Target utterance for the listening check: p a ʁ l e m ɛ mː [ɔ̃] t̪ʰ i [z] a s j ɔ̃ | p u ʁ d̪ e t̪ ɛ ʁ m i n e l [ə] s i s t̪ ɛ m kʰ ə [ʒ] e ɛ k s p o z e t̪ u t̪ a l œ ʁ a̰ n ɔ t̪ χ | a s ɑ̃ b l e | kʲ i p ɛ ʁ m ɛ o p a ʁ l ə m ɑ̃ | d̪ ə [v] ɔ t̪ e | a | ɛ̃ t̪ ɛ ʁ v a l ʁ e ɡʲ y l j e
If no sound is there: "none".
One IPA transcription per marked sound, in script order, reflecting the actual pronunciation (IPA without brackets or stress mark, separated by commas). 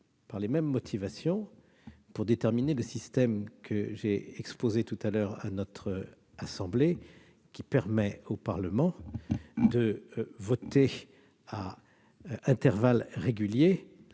ɔ, v, ə, ʒ, v